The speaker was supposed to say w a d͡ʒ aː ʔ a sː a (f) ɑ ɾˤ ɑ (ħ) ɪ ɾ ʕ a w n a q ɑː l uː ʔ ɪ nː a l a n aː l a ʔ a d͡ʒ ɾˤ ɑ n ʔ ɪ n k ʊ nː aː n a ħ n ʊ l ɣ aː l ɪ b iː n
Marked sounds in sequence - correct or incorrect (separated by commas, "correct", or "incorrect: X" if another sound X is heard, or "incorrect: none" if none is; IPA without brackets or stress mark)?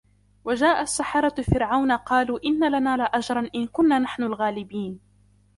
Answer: incorrect: ħ, incorrect: f